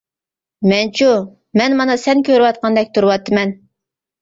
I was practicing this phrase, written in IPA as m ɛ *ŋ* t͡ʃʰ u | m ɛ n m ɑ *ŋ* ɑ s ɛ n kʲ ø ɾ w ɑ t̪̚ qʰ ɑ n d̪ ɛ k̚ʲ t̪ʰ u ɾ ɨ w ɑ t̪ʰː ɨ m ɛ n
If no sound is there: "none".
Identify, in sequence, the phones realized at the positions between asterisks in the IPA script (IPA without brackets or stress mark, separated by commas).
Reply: n, n